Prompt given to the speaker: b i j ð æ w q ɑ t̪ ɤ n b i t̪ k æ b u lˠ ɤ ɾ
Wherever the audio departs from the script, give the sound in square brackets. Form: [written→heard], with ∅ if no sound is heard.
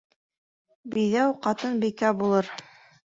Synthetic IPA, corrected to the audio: b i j ð æ w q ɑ t̪ ɤ n b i [t̪→∅] k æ b u lˠ ɤ ɾ